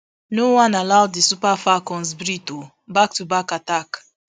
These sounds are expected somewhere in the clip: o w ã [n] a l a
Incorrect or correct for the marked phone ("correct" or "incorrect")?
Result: correct